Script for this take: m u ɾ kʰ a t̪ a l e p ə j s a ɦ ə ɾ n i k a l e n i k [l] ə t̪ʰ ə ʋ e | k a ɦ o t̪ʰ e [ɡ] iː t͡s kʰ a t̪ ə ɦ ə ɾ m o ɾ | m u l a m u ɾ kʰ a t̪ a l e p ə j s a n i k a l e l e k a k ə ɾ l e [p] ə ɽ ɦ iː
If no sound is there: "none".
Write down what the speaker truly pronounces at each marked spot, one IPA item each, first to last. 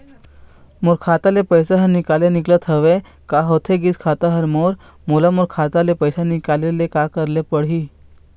l, ɡ, p

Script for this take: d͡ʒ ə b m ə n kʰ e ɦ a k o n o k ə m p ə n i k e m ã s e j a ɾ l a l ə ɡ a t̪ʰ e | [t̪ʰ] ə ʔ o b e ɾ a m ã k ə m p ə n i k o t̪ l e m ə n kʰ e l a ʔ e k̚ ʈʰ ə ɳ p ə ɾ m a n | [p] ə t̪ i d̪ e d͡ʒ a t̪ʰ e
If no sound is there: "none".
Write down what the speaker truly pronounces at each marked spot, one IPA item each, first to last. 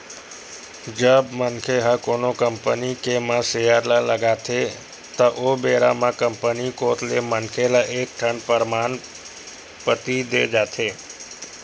t̪, p

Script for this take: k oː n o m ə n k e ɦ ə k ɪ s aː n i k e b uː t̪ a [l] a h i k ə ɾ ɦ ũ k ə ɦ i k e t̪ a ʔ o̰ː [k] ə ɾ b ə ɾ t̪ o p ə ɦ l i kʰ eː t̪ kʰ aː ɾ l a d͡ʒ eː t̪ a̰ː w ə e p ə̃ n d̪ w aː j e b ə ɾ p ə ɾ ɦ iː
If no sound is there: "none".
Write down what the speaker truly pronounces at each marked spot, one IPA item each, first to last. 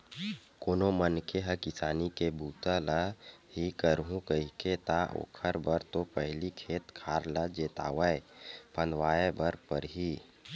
l, kʰ

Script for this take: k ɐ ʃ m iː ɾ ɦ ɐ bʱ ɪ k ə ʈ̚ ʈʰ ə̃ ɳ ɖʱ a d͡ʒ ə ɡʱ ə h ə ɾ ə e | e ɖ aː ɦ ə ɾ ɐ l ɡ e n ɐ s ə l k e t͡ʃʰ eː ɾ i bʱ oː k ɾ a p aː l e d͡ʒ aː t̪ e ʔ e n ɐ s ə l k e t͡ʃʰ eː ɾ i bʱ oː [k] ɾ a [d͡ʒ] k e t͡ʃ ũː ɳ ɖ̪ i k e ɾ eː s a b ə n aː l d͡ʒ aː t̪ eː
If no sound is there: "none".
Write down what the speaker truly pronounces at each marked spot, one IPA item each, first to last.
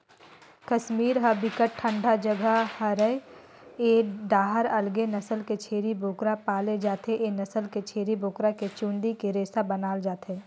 k, none

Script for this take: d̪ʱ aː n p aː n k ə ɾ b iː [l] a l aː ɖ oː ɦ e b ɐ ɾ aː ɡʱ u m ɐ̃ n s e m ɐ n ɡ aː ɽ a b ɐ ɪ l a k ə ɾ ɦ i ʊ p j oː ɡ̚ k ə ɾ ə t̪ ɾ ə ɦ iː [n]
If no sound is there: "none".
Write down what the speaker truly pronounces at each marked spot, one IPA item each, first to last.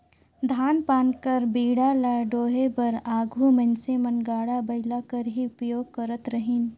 ɽ, n

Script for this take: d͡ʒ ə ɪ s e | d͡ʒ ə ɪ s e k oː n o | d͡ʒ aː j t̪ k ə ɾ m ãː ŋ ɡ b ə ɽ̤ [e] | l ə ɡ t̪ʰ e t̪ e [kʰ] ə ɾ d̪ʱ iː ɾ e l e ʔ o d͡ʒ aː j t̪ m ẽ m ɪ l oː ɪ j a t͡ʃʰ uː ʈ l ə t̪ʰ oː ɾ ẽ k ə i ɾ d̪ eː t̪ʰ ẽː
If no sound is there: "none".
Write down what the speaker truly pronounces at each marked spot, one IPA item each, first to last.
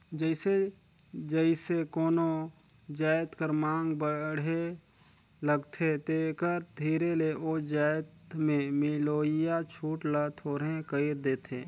e, k

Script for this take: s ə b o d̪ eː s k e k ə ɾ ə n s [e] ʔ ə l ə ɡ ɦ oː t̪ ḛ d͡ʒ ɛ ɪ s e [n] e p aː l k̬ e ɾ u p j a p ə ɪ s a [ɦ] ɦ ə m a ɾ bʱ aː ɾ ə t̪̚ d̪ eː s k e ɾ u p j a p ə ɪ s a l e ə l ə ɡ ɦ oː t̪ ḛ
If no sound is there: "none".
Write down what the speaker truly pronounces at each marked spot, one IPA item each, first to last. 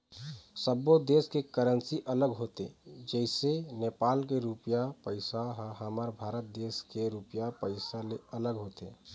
i, n, ɦ

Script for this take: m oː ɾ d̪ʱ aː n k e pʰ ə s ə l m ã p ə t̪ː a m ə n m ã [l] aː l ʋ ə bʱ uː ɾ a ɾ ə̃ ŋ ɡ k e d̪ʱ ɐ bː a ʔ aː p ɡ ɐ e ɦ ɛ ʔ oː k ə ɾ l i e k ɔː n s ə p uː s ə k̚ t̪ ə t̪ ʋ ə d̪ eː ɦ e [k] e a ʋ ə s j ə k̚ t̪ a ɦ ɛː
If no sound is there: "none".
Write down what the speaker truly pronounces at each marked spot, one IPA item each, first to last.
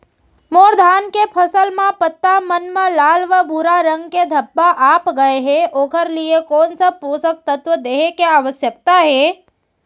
l, k

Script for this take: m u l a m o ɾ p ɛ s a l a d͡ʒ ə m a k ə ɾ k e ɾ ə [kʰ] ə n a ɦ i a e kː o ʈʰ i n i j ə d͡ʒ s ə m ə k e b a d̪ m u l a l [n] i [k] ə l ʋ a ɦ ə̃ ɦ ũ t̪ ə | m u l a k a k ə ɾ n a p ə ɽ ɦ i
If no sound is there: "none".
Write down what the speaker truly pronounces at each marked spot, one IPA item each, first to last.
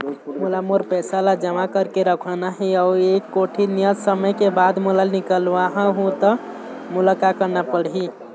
kʰ, n, k

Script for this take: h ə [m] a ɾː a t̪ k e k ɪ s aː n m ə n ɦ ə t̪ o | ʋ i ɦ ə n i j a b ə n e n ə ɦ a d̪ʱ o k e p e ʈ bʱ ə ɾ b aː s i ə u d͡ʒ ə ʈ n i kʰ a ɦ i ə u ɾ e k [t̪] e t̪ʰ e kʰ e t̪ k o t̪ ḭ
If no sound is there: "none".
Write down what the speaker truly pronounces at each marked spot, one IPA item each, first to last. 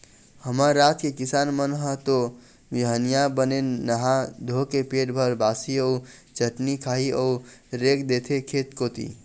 m, d̪

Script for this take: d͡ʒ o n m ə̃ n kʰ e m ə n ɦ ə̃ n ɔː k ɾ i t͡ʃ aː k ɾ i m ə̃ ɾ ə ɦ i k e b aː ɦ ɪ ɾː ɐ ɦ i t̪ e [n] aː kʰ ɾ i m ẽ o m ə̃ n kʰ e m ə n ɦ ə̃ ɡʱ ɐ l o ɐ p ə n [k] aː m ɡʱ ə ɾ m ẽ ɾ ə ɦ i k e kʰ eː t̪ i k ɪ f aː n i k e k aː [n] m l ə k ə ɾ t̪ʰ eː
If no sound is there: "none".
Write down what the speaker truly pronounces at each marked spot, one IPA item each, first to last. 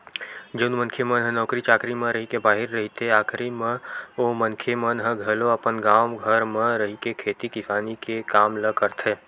none, ɡ, none

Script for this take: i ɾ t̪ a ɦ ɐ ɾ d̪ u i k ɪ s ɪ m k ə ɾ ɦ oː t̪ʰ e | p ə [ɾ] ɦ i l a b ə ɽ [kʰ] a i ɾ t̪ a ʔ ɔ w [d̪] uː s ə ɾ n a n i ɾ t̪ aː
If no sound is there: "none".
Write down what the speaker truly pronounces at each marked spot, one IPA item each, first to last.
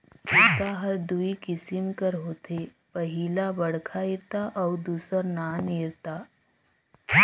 none, kʰ, d̪

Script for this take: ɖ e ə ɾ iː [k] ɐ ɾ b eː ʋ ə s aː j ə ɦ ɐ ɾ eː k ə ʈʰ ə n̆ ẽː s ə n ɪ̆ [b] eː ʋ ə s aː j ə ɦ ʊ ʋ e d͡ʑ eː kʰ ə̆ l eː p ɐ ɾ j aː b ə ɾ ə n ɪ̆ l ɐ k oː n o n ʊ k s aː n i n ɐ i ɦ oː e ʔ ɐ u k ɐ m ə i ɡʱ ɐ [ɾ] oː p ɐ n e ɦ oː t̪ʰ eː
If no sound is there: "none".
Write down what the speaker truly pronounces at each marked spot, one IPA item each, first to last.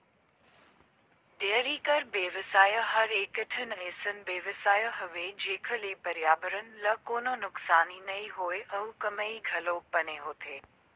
k, b, l

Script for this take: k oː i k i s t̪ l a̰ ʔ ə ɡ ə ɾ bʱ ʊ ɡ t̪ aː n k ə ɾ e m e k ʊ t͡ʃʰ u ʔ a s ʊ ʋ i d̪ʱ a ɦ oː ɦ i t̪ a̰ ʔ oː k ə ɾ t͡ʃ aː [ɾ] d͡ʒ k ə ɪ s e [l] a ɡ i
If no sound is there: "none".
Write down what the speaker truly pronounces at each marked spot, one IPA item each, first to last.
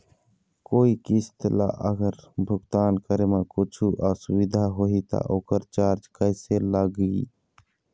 ɾ, l

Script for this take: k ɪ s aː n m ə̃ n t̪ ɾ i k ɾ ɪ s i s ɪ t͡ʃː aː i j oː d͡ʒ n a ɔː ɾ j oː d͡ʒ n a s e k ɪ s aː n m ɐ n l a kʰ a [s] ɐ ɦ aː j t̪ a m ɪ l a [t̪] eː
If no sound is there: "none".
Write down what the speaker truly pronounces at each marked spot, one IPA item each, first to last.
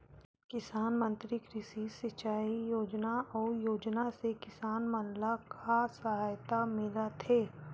s, t̪ʰ

